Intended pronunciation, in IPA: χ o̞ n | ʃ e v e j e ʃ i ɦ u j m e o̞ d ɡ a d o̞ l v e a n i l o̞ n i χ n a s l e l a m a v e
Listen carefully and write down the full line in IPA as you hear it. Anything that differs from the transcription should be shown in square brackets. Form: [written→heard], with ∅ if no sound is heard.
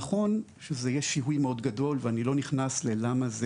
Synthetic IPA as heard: χ o̞ n | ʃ e [v→z] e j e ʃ i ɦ u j m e o̞ d ɡ a d o̞ l v e a n i l o̞ n i χ n a s l e l a m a [v→z] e